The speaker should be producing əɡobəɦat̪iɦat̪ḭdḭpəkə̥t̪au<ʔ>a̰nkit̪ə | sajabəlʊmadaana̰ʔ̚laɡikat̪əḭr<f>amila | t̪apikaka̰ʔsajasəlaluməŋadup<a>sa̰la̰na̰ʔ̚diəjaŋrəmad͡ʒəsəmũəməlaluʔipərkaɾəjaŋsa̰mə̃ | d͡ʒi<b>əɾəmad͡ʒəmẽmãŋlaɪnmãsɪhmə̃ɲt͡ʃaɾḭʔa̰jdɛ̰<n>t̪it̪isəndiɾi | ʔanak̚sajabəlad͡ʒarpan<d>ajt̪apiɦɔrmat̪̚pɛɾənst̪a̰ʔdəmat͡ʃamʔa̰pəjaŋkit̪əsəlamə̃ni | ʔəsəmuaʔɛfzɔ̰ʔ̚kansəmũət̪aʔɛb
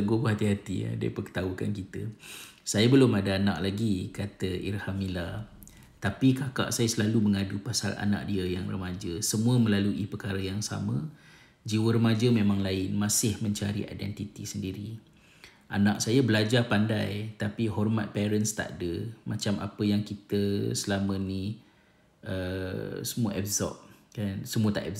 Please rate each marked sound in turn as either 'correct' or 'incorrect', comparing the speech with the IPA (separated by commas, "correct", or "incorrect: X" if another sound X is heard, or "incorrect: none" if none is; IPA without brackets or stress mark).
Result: incorrect: k, incorrect: h, correct, incorrect: w, correct, correct